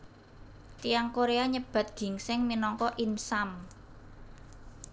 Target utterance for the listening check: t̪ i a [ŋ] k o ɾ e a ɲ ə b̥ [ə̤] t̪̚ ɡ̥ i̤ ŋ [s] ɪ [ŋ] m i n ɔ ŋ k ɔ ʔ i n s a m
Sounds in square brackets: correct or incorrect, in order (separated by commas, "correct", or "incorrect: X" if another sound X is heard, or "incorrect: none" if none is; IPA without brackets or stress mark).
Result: correct, incorrect: a̤, correct, correct